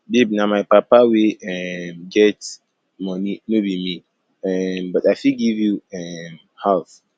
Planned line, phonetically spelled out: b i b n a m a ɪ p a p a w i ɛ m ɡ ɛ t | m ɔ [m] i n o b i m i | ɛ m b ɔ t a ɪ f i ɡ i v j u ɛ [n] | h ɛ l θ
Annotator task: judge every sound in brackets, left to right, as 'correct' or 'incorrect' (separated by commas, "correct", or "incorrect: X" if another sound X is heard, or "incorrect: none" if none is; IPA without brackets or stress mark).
incorrect: n, incorrect: m